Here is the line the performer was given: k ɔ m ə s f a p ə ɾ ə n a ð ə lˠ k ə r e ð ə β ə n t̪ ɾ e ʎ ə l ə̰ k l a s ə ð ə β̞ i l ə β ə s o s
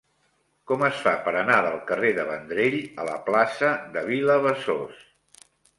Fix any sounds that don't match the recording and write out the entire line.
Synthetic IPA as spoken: k ɔ m ə s f a p ə ɾ ə n a ð ə lˠ k ə r e ð ə β ə n d̪ ɾ e ʎ ə l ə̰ p l a s ə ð ə β̞ i l ə β ə s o s